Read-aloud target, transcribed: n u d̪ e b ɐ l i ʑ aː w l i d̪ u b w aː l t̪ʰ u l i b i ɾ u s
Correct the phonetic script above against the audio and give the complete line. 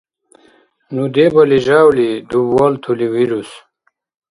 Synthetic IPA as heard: n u d̪ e b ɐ l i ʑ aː w l i d̪ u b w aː l t̪ʰ u l i w i ɾ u s